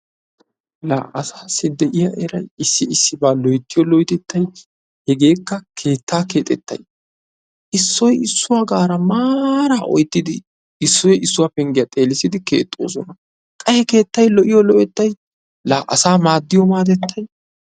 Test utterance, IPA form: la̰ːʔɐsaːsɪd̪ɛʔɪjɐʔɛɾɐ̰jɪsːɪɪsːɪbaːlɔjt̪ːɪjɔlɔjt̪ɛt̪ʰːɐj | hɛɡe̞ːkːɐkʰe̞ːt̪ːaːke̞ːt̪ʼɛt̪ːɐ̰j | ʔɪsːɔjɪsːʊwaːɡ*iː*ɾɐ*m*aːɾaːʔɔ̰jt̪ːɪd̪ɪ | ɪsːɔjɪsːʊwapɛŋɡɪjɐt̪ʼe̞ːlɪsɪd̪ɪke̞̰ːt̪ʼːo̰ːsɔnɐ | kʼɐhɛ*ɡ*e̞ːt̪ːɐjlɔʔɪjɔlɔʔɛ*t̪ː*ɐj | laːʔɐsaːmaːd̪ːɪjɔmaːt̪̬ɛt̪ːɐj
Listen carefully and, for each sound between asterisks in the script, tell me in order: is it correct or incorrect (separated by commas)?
incorrect, correct, incorrect, correct